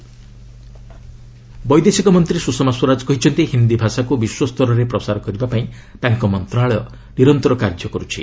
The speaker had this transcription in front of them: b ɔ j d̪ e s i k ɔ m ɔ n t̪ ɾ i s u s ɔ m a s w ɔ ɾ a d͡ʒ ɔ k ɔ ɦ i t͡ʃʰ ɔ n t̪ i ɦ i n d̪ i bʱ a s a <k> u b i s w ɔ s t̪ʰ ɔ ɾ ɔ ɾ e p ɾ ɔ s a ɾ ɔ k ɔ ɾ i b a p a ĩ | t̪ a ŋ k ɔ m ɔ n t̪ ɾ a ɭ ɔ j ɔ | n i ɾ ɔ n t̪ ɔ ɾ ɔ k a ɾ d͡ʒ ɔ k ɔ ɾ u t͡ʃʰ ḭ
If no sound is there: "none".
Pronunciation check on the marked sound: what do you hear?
k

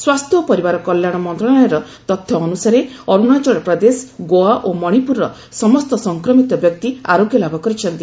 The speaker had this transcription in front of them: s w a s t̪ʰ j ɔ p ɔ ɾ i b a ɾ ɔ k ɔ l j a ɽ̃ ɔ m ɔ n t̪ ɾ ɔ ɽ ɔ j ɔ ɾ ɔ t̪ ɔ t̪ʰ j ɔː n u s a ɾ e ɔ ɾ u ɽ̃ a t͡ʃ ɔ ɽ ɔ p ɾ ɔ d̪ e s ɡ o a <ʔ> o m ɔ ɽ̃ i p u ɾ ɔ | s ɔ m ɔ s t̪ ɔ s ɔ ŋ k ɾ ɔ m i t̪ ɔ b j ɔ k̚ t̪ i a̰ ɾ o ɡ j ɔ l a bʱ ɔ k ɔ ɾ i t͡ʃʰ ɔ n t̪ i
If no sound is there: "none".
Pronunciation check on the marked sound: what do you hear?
ʔ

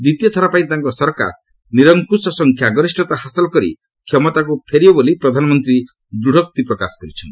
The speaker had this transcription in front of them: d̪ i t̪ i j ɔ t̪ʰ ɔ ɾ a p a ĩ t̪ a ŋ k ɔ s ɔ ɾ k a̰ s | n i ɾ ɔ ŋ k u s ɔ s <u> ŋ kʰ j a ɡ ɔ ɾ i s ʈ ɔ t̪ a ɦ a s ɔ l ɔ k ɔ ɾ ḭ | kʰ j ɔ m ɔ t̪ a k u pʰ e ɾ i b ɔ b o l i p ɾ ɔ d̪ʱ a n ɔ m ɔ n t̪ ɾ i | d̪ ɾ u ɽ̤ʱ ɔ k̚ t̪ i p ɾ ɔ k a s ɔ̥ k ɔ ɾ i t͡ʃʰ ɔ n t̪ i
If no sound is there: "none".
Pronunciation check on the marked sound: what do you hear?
ɔ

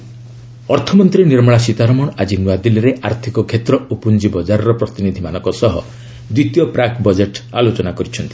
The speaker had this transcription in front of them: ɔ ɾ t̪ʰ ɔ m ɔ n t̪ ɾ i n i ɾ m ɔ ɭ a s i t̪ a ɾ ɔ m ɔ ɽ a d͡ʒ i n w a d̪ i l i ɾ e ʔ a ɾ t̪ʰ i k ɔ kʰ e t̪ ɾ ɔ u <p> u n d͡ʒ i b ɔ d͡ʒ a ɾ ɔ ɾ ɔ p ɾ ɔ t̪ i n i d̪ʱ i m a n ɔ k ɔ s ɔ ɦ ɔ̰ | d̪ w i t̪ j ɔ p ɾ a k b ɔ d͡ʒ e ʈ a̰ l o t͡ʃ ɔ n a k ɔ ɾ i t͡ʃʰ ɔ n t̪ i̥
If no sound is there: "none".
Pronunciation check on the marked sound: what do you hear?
p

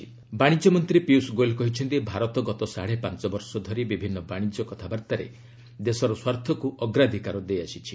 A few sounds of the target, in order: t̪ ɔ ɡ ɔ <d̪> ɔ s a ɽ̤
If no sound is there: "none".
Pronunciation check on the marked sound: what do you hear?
t̪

